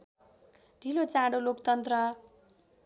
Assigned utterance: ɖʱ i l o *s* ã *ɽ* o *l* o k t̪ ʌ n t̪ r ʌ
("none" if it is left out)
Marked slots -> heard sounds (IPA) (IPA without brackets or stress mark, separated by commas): t͡s, ɽ, l